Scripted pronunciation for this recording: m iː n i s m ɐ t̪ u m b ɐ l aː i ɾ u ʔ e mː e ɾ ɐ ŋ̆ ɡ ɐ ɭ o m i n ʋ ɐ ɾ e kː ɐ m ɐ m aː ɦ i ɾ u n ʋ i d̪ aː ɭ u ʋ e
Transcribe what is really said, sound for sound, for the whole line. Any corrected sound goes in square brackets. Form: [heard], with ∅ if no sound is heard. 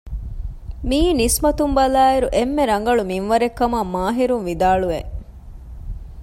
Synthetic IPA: m iː n i s m ɐ t̪ u m b ɐ l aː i ɾ u ʔ e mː e ɾ ɐ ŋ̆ ɡ ɐ ɭ [u] m i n ʋ ɐ ɾ e kː ɐ m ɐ m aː ɦ i ɾ u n ʋ i d̪ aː ɭ u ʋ e